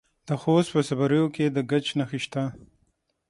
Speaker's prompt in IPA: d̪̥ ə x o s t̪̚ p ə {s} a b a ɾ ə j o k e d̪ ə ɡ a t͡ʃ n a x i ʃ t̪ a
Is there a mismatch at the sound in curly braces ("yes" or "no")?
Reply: no